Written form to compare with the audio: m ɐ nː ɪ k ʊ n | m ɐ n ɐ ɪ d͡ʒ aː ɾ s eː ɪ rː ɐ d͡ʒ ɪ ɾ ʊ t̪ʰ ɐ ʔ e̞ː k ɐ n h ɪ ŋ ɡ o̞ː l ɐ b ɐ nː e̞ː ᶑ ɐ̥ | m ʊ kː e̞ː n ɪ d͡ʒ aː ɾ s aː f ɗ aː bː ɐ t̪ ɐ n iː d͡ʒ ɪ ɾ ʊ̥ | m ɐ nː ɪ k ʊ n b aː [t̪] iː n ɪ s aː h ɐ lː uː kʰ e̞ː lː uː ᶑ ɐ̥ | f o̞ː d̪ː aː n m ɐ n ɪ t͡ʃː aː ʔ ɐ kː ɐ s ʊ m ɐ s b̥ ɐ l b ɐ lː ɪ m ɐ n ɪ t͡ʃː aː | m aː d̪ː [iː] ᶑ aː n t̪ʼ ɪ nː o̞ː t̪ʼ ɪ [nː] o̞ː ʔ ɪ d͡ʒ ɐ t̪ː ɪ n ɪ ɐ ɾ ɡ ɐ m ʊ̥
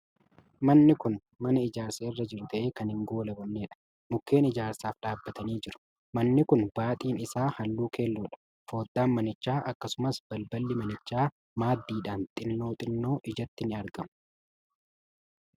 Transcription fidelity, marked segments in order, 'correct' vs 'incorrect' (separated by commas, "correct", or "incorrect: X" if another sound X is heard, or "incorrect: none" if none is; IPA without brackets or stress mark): incorrect: t̪ʼ, correct, correct